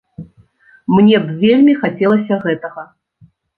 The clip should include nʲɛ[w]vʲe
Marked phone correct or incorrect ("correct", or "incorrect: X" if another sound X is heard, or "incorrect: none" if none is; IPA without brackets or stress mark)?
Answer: incorrect: b